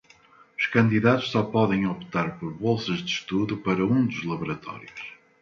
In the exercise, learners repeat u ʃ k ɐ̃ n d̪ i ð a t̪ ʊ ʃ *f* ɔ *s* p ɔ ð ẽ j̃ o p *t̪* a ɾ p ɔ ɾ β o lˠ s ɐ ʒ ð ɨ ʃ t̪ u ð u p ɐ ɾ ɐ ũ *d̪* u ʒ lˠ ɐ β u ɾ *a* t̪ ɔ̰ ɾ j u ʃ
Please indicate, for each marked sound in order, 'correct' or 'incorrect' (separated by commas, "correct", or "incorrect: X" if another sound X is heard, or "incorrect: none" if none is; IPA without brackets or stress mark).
incorrect: s, incorrect: none, correct, correct, incorrect: ɐ